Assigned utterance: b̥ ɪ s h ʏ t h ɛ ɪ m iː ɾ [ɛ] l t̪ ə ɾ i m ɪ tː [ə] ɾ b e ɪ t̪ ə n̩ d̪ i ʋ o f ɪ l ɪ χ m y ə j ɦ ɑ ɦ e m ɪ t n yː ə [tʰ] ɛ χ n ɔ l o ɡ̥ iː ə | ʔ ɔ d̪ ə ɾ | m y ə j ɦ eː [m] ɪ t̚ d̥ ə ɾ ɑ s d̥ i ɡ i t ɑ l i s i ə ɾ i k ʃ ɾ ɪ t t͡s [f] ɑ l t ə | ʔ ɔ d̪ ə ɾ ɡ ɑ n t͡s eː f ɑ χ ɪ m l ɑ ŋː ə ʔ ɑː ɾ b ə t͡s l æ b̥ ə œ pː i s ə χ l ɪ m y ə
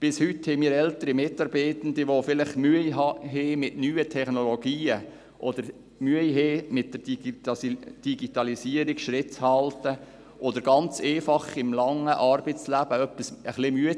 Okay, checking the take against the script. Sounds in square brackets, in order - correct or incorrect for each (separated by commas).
correct, incorrect, correct, correct, incorrect